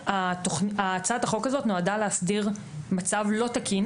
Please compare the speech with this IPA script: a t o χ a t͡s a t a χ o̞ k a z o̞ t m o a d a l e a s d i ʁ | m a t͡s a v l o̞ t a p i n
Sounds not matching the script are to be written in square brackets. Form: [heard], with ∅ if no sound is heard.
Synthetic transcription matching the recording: a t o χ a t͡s a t a χ o̞ k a z o̞ t [n] o a d a l e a s d i ʁ | m a t͡s a v l o̞ t a [k] i n